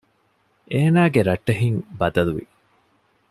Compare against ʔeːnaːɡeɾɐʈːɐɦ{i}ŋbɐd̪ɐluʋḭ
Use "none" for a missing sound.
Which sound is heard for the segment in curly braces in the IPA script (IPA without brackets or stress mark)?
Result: i